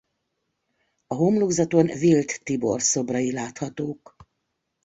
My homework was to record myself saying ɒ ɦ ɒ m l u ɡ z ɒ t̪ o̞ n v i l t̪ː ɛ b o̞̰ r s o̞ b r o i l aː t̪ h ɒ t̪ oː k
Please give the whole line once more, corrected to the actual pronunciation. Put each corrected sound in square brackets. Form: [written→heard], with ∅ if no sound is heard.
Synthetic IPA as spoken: ɒ ɦ [ɒ→o] m l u ɡ z ɒ t̪ o̞ n v i l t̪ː [ɛ→i] b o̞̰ r s o̞ b r [o→ɒ] i l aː t̪ h ɒ t̪ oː k